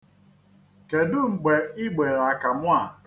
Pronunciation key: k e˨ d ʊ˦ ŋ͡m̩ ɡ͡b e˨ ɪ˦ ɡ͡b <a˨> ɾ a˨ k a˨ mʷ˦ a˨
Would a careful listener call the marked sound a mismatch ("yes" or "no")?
yes